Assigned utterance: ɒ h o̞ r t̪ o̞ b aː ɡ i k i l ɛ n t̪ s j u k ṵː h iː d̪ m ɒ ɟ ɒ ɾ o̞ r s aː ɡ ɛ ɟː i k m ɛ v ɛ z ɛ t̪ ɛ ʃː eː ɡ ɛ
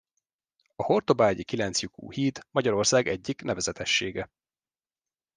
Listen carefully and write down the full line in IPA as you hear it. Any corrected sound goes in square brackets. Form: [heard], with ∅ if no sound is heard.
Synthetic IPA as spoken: ɒ h o̞ r t̪ o̞ b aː [ɟ] i k i l ɛ n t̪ s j u k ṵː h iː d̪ m ɒ ɟ ɒ ɾ o̞ r s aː ɡ ɛ ɟː i k [n] ɛ v ɛ z ɛ t̪ ɛ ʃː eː ɡ ɛ